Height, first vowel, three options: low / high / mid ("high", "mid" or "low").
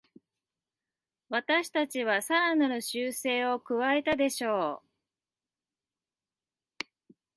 low